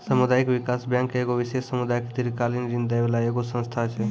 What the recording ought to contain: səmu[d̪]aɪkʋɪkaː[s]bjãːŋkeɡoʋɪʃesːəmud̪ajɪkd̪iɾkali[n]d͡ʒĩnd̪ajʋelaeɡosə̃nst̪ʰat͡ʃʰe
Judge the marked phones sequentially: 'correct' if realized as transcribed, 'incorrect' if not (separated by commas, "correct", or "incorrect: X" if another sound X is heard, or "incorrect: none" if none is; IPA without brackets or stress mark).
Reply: correct, correct, correct